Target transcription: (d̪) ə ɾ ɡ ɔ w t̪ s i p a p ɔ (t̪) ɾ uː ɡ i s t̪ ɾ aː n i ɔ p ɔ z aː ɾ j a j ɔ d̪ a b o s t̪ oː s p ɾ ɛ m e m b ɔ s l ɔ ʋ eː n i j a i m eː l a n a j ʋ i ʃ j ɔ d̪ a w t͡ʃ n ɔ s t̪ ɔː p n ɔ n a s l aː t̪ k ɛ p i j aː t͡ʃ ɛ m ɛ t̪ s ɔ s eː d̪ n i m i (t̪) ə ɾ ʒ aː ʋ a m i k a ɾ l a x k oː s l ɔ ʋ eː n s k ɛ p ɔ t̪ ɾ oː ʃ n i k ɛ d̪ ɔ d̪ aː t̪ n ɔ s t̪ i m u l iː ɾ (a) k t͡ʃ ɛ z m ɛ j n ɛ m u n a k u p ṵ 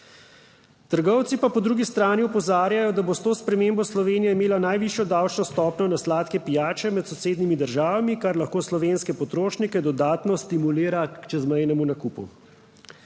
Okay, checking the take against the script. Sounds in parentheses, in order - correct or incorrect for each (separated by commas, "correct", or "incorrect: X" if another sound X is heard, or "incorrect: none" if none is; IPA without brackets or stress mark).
incorrect: t̪, incorrect: d̪, incorrect: d̪, correct